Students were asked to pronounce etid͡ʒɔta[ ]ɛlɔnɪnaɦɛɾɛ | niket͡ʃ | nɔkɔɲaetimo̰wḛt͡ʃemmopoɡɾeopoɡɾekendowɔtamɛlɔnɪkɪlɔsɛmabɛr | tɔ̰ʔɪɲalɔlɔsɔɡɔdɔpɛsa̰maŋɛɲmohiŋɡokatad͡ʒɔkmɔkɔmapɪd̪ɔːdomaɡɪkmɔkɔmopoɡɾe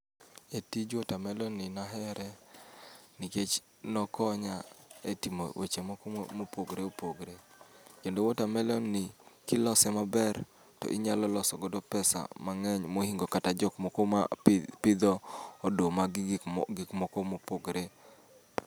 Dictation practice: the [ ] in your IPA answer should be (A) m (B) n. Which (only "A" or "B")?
A